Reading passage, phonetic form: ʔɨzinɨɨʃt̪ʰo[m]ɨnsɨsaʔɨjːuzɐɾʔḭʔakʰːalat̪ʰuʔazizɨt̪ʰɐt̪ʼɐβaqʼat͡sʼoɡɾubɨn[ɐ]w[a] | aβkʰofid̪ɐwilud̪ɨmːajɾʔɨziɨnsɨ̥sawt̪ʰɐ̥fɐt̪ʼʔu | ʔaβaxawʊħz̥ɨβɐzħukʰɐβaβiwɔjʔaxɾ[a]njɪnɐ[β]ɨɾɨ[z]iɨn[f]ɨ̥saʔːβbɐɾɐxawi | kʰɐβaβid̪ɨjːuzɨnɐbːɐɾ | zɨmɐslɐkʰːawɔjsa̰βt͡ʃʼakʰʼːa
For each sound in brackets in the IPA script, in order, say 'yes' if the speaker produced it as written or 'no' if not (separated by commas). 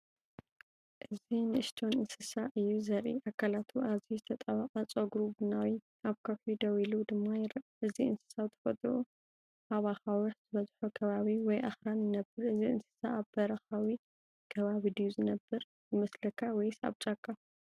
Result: no, no, no, yes, no, yes, no